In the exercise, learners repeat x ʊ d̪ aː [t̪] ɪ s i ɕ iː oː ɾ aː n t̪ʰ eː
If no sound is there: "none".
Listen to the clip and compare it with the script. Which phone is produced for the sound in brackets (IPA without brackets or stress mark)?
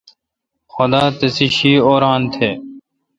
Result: t̪